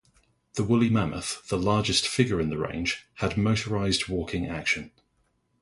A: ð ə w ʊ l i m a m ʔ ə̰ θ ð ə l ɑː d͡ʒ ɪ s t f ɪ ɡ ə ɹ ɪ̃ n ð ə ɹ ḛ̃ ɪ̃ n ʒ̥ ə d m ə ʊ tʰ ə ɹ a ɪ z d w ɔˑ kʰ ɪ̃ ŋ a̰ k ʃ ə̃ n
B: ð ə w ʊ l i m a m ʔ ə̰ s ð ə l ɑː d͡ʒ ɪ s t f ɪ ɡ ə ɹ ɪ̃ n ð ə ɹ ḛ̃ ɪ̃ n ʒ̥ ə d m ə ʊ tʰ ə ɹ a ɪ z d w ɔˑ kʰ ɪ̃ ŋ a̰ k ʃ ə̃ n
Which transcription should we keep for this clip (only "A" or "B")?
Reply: A